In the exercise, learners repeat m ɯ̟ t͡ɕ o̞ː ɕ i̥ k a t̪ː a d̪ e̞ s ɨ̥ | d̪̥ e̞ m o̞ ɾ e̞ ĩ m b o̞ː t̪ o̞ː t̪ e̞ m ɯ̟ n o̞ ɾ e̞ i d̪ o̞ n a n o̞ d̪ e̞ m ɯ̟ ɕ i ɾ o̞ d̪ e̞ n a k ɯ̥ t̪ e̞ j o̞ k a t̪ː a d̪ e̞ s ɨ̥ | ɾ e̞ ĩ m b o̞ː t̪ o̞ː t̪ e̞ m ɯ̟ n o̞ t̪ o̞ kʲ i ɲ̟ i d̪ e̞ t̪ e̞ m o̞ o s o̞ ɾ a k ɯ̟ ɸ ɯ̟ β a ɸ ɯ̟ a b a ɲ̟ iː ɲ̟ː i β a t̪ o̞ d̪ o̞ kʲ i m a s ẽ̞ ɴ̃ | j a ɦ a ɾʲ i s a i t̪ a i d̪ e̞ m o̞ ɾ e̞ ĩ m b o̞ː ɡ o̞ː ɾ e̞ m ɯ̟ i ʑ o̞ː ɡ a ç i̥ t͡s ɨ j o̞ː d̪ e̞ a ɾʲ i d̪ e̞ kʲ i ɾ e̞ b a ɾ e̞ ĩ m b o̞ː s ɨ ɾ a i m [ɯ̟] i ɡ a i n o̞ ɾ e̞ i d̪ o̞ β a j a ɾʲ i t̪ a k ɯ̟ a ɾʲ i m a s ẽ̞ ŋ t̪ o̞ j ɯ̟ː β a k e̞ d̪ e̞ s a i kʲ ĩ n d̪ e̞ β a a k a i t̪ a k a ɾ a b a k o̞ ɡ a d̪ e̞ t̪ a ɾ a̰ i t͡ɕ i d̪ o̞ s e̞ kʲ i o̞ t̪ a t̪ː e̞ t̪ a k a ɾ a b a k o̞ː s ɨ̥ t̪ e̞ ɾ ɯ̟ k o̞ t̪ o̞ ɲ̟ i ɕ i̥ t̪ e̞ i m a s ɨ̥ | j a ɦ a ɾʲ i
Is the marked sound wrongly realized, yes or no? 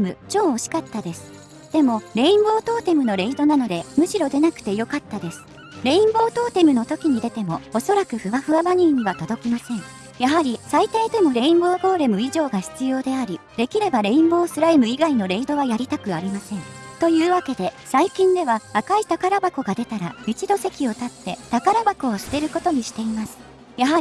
no